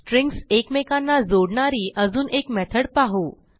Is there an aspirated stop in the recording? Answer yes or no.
yes